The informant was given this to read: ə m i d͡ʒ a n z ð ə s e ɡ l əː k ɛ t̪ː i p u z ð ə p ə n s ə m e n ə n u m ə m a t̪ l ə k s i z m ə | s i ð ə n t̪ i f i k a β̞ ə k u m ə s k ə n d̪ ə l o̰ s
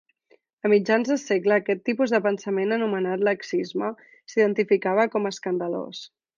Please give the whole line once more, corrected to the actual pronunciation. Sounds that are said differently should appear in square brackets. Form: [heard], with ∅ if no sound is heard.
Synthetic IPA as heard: ə m i d͡ʒ a n z ð ə s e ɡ l əː k ɛ t̪ː i p u z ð ə p ə n s ə m e n ə n u m ə [n] a t̪ l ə k s i z m ə | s i ð ə n t̪ i f i k a β̞ ə k [ɔ] m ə s k ə n d̪ ə l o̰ s

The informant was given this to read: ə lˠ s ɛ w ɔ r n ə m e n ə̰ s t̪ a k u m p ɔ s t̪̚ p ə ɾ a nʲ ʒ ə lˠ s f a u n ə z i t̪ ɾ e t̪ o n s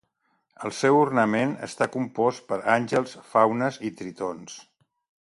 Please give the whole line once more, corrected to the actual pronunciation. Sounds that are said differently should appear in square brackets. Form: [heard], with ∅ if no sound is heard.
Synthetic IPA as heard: ə lˠ s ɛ w [u] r n ə m e n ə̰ s t̪ a k u m p ɔ s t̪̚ p ə ɾ a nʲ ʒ ə lˠ s f a [w] n ə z i t̪ ɾ [i] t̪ o n s

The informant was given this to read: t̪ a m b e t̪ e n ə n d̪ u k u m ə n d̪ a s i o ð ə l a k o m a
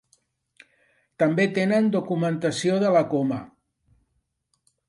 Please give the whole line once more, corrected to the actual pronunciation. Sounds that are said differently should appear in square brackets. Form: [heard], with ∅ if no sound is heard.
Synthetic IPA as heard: t̪ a m b e t̪ e n ə n d̪ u k u m ə n [t̪] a s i o ð ə l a k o m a

